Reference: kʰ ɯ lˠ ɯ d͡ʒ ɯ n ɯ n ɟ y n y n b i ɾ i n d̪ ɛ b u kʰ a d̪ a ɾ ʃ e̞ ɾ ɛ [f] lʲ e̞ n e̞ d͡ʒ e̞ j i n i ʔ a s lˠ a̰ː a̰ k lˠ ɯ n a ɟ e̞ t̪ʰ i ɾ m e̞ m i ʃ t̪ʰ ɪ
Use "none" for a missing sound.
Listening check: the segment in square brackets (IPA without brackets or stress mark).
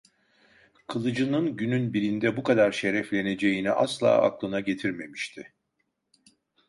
f